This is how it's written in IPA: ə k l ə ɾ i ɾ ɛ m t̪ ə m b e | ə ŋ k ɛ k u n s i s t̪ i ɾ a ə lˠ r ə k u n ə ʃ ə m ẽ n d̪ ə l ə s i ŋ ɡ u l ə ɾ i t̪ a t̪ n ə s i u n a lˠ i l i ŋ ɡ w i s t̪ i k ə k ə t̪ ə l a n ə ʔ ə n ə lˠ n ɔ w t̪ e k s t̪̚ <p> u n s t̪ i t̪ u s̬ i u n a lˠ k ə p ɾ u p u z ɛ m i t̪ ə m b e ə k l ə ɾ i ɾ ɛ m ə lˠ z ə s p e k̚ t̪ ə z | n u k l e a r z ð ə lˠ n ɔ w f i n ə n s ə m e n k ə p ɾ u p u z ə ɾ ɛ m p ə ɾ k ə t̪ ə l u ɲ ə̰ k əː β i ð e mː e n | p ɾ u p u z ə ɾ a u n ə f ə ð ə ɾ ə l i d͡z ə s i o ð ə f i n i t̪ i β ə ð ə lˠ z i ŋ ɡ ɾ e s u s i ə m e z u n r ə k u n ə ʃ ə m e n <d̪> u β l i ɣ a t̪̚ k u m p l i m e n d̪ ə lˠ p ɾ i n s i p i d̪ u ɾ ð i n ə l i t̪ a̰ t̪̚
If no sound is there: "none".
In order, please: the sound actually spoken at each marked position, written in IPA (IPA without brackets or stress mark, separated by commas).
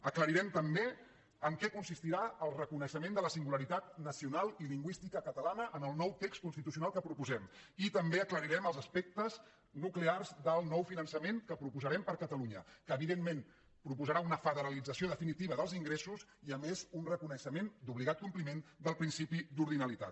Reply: k, d̪